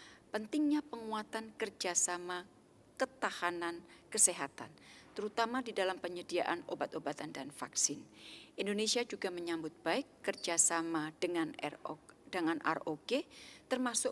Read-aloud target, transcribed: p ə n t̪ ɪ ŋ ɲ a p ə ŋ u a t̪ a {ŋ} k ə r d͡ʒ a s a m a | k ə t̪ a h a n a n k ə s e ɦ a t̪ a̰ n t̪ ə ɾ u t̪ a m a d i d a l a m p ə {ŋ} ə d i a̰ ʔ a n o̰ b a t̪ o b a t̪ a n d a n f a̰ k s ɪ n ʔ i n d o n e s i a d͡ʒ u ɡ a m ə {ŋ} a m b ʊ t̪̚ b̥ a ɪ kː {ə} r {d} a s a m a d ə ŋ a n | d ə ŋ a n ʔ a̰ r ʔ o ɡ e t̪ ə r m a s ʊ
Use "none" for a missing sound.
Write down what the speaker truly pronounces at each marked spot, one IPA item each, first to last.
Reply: n, ɲ, ɲ, ə, d͡ʒ

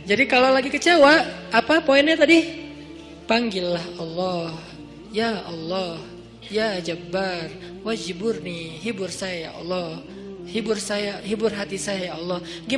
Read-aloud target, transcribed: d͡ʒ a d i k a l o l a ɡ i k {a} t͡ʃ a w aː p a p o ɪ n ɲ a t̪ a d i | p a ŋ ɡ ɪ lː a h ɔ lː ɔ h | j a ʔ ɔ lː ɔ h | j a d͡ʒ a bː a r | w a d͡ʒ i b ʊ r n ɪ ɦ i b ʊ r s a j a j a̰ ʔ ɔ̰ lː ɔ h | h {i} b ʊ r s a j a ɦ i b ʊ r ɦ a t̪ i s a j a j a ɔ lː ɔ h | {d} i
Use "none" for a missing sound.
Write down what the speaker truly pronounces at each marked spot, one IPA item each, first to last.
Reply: ə, i, ɡ

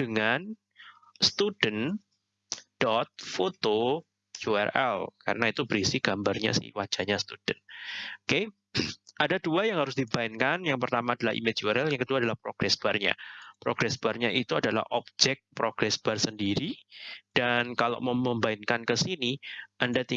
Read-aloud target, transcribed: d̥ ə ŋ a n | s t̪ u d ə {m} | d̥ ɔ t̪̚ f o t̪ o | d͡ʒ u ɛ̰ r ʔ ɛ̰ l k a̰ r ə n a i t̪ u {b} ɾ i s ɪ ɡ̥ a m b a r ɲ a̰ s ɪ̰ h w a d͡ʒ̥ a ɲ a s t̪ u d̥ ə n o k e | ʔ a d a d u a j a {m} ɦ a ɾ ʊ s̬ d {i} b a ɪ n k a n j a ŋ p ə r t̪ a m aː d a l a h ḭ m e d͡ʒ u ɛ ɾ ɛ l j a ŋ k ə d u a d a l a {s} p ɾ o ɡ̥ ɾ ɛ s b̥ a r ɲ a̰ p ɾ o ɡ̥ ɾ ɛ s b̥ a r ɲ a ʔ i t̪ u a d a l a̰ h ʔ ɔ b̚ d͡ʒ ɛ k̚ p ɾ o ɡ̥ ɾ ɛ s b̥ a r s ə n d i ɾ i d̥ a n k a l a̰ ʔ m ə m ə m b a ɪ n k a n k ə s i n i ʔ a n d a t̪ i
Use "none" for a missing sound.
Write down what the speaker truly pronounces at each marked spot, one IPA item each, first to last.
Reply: n, b, ŋ, i, h

